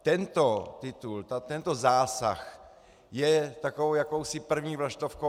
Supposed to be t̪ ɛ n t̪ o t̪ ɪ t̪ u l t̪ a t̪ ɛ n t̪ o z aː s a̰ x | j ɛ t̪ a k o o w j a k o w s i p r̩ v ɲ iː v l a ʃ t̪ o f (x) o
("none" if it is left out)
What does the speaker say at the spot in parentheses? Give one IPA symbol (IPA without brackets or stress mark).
k